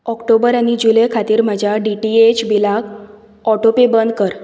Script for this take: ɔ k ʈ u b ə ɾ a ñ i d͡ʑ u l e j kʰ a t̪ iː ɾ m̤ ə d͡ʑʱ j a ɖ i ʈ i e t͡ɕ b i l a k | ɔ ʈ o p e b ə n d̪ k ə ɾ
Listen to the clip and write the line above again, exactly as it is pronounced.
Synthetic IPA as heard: ɔ k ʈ o b ə ɾ a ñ i d͡ʑ u l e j kʰ a t̪ iː ɾ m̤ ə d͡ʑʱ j a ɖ i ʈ i e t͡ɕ b i l a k | ɔ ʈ o p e b ə n d̪ k ə ɾ